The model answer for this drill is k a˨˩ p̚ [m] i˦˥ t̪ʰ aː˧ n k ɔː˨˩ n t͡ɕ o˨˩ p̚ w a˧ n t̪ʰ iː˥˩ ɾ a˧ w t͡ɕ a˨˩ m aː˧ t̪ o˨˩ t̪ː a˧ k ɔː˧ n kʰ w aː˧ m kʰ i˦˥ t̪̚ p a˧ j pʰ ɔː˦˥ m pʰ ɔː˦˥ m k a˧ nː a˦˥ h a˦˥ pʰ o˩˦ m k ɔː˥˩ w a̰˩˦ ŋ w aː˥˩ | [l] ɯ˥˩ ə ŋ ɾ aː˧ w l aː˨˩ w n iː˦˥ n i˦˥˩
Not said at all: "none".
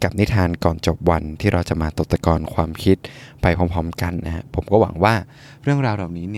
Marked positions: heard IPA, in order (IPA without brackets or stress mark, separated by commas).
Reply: n, ɾ